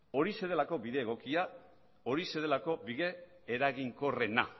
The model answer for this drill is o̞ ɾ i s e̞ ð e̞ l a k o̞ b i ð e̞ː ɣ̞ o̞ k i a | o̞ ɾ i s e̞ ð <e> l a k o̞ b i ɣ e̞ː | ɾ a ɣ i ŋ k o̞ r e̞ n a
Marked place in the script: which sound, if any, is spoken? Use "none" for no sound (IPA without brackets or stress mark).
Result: e